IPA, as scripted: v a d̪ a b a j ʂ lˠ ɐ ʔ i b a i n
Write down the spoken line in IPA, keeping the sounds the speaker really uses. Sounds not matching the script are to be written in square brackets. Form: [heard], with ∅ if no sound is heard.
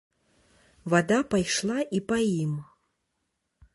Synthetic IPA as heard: v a d̪ a [p] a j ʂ lˠ [a] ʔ i [p] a i [m]